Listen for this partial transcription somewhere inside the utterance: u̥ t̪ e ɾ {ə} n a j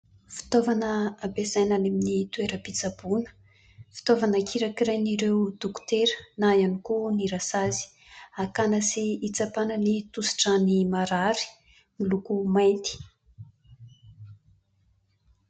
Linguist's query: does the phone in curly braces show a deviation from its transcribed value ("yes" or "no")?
no